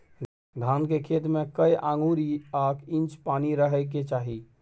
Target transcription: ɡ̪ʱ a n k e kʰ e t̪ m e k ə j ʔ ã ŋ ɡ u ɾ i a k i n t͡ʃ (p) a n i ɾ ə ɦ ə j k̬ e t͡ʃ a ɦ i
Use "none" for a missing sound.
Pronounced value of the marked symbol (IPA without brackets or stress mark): p